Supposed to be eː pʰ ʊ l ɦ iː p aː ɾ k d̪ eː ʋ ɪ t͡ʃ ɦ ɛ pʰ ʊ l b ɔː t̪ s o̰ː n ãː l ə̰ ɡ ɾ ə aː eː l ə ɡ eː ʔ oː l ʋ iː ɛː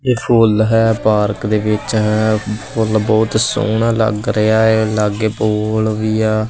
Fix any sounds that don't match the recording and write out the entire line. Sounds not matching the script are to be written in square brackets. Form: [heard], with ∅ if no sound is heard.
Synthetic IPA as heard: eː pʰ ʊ l ɦ [ɛː] p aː ɾ k d̪ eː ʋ ɪ t͡ʃ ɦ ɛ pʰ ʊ l b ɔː t̪ s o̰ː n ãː l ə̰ ɡ ɾ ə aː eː l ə ɡ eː [p] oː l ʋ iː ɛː